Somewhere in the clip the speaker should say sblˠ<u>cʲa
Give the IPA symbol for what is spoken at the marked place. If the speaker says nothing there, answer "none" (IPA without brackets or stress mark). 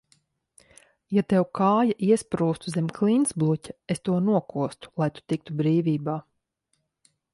u